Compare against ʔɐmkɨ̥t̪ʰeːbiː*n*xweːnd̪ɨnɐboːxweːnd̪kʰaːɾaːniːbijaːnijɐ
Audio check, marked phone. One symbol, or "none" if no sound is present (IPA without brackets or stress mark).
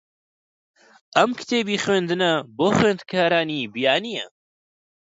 none